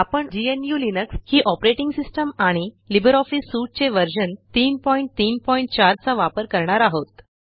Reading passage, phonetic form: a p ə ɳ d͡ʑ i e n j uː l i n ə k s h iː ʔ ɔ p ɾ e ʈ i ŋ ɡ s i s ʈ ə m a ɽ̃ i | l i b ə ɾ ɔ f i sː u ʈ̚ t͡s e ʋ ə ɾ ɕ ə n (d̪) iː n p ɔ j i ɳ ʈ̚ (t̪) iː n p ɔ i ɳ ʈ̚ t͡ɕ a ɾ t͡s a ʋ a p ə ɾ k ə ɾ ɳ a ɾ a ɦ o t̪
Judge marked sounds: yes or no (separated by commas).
no, yes